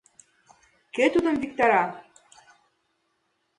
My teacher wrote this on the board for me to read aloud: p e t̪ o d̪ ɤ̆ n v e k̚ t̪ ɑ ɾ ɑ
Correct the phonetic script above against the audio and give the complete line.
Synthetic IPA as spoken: k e t̪ u d̪ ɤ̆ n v i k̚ t̪ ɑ ɾ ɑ